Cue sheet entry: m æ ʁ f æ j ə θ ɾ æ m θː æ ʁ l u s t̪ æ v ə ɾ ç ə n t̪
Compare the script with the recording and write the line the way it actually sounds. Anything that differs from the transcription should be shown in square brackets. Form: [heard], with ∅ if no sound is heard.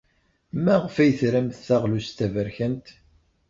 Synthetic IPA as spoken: m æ ʁ f æ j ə θ ɾ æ m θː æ ʁ l u s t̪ æ v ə ɾ ç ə n t̪